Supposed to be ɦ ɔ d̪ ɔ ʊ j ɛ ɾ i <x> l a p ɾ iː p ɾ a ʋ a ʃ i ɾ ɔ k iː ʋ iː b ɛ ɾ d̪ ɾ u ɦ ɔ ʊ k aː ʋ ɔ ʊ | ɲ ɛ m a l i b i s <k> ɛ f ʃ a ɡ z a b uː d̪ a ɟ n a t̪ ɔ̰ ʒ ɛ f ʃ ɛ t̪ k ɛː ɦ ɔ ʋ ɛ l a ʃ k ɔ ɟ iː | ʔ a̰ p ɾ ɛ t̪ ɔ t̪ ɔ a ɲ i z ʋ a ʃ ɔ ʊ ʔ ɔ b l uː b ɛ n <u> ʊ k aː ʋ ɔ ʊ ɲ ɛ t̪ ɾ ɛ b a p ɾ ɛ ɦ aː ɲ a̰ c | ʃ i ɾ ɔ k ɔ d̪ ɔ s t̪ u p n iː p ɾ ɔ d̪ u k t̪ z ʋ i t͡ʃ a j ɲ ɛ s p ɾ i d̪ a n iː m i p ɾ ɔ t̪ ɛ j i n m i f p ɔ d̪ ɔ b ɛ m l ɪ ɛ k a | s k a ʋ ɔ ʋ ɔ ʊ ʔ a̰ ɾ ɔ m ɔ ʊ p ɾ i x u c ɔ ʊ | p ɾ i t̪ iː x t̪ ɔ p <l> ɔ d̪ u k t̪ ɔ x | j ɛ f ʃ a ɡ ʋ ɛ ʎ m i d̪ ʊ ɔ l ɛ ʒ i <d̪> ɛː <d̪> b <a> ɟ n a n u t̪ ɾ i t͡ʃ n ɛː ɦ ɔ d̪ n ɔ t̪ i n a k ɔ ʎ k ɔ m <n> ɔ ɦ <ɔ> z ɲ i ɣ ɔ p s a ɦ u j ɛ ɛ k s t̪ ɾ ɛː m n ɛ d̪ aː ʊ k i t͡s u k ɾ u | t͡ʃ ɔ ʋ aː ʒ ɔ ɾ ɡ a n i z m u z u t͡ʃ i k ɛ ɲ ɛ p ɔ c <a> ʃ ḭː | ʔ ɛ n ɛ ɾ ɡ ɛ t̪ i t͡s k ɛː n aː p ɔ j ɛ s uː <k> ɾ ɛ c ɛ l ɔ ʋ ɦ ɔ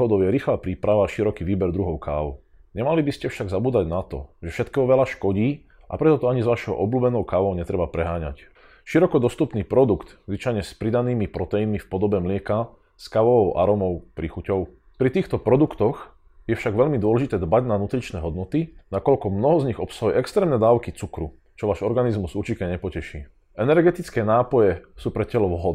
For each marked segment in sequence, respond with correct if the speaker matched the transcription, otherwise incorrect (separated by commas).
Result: correct, incorrect, incorrect, incorrect, incorrect, correct, correct, correct, correct, incorrect, incorrect